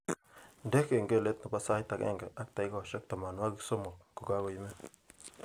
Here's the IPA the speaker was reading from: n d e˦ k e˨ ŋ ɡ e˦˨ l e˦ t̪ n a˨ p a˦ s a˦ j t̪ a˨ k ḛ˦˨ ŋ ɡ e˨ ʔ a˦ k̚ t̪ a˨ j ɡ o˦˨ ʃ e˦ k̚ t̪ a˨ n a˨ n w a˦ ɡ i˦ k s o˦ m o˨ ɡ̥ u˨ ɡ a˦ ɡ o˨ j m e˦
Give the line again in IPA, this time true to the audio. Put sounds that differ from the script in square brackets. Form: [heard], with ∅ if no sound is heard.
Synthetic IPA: n d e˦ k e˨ ŋ ɡ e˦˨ l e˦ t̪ n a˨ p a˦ s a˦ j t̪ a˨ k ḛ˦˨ ŋ ɡ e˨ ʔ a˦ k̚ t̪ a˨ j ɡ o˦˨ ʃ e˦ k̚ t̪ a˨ [m] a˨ n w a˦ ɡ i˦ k s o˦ m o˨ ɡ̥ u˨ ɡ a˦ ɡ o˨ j m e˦